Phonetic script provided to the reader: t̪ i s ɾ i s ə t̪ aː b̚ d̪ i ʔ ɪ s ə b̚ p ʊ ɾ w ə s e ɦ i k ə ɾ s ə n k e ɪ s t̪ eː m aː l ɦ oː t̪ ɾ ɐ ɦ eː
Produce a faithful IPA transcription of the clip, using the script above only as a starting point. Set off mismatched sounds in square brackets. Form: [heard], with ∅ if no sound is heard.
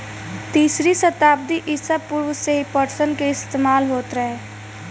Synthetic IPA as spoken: t̪ [iː] s ɾ i s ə t̪ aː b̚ d̪ i ʔ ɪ s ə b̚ p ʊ ɾ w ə s e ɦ i [p] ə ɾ s ə n k e ɪ s t̪ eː m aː l ɦ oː t̪ ɾ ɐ ɦ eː